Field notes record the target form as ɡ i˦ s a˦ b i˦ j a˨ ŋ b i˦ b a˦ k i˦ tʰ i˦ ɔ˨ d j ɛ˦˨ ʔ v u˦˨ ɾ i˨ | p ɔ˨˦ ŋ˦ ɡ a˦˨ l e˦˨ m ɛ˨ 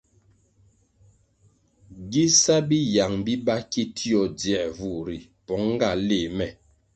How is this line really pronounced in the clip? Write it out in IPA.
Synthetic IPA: ɡ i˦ s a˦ b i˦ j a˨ ŋ b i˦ b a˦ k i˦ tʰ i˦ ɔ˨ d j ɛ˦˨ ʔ v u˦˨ ɾ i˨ | p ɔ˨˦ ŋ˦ ɡ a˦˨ l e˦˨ m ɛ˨